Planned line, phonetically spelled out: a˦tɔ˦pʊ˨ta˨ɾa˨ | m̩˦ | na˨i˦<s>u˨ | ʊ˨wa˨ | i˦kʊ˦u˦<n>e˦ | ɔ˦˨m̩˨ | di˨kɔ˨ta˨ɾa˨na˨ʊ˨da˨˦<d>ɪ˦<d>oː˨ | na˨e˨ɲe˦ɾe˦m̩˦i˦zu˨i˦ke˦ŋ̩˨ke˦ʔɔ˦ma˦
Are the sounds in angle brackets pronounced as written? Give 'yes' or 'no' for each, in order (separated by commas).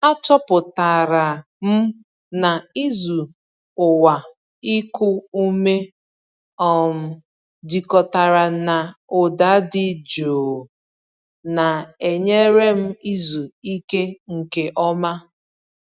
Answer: no, no, yes, no